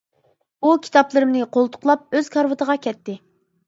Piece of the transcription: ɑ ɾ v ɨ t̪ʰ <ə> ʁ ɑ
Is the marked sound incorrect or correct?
correct